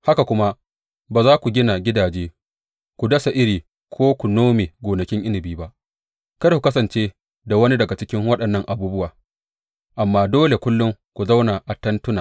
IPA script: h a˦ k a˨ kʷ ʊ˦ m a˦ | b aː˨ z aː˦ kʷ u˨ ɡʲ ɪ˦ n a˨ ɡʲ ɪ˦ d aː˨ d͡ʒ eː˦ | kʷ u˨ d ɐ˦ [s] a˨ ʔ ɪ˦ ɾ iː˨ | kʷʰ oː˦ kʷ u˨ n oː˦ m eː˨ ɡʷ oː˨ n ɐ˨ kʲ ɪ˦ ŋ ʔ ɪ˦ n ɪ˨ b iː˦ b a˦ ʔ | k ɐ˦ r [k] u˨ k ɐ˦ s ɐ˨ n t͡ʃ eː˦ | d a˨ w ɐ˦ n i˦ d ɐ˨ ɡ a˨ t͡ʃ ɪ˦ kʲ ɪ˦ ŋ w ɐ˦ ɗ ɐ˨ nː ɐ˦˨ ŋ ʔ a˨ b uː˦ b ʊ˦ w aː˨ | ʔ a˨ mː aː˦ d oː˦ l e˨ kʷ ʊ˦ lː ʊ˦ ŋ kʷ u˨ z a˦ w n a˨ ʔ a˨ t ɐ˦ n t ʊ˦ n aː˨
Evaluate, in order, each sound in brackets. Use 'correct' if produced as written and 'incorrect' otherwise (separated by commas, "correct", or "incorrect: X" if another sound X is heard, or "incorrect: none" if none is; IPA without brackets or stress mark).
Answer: correct, correct